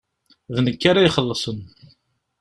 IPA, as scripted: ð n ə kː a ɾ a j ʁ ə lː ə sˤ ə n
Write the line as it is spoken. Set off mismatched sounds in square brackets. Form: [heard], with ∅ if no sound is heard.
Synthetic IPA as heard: ð n ə kː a ɾ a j [χ] ə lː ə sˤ ə n

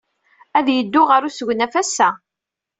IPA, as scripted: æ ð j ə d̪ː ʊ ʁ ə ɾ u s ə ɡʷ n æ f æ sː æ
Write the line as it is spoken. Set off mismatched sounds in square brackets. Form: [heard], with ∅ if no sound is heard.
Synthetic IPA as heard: æ ð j ə d̪ː ʊ ʁ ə ɾ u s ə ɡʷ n æ f æ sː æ

